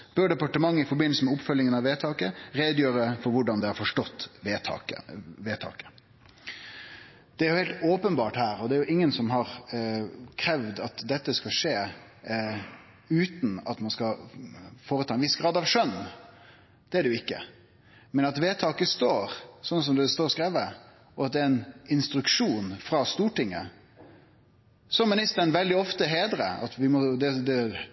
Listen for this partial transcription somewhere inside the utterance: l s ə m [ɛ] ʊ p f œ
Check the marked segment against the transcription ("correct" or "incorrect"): correct